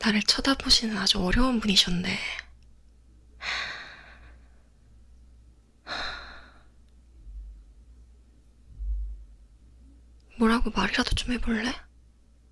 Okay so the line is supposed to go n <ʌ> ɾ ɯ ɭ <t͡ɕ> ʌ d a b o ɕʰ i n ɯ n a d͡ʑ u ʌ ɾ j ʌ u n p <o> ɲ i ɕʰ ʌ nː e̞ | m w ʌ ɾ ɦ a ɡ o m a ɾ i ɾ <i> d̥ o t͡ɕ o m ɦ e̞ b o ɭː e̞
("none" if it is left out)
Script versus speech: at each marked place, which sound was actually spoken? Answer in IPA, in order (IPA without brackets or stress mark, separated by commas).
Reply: a, t͡ɕʰ, u, a